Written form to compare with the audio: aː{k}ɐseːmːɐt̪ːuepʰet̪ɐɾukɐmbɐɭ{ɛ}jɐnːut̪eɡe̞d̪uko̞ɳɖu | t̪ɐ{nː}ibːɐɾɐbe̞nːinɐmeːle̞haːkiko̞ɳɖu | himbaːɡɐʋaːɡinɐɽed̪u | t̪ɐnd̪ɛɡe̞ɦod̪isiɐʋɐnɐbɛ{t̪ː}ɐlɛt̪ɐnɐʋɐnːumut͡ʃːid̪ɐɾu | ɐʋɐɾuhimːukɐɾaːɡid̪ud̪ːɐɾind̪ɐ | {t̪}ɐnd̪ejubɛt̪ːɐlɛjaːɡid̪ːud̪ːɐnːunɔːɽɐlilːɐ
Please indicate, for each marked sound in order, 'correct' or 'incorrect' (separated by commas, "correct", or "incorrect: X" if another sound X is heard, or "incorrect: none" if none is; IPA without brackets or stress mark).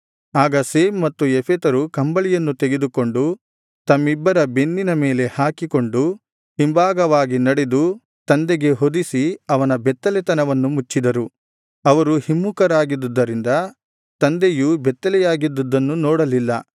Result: incorrect: ɡ, incorrect: i, incorrect: mː, correct, correct